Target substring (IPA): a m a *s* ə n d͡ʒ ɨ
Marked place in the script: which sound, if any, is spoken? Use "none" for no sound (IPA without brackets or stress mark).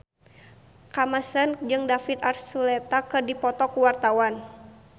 s